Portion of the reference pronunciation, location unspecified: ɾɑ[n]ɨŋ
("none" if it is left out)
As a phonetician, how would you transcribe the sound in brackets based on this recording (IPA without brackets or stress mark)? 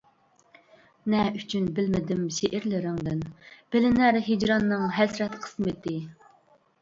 nː